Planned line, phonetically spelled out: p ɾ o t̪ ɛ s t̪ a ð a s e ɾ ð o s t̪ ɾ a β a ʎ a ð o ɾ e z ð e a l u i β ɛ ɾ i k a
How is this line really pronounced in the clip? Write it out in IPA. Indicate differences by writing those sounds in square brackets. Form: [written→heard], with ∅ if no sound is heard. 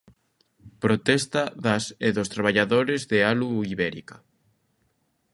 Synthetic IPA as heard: p ɾ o t̪ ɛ s t̪ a ð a s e [ɾ→∅] ð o s t̪ ɾ a β a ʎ a ð o ɾ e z ð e a l u i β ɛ ɾ i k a